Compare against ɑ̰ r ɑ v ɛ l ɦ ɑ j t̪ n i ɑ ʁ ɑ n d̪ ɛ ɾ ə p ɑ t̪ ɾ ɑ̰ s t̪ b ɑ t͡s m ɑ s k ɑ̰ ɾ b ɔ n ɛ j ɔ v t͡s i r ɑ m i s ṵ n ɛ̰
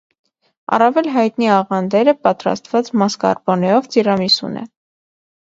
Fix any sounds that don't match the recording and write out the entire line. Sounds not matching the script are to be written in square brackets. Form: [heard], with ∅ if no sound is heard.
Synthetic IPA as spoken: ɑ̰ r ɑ v ɛ l ɦ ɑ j t̪ n i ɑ ʁ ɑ n d̪ ɛ ɾ ə p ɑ t̪ ɾ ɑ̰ s t̪ [v] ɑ t͡s m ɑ s k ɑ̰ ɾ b ɔ n ɛ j ɔ v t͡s i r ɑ m i s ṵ n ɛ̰